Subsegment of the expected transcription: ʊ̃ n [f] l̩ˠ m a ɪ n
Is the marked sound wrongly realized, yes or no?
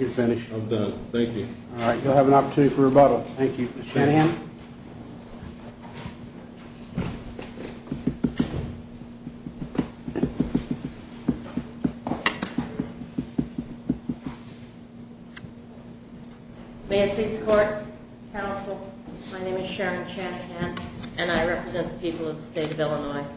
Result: yes